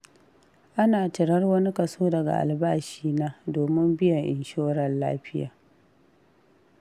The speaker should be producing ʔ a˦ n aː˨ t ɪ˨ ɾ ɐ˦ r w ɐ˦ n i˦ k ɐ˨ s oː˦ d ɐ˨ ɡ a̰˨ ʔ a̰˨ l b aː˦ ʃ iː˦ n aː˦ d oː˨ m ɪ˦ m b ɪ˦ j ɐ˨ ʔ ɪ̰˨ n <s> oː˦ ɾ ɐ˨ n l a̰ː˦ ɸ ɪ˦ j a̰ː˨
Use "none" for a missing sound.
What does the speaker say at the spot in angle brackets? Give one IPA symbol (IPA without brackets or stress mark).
ʃ